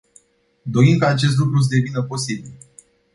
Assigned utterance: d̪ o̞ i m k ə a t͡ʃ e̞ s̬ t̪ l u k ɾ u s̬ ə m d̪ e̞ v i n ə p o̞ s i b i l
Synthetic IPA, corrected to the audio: d̪ o̞ i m k ə a t͡ʃ e̞ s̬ t̪ l u k ɾ u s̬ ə d̪ e̞ v i n ə p o̞ s i b i l